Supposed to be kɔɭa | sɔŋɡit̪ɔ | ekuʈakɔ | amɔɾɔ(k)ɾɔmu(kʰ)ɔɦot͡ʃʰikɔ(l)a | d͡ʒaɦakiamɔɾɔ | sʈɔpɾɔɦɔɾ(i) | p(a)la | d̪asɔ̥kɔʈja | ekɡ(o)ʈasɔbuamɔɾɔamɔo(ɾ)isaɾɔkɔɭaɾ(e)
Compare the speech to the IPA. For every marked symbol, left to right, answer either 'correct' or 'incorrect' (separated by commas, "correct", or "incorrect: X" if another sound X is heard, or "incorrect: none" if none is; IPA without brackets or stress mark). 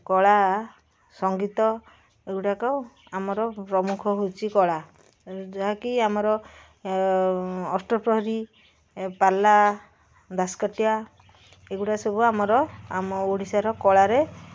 incorrect: p, correct, incorrect: ɭ, correct, correct, incorrect: u, incorrect: ɽ, correct